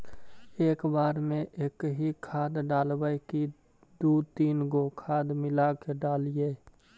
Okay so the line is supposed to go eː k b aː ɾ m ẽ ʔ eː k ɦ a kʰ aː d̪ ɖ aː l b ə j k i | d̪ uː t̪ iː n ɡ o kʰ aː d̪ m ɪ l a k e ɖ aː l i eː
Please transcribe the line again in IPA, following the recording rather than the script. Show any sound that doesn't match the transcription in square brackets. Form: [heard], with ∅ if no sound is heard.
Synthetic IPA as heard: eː k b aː ɾ m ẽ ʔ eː k ɦ [i] kʰ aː d̪ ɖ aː l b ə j k i | d̪ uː t̪ iː n ɡ o kʰ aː d̪ m ɪ l a k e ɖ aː l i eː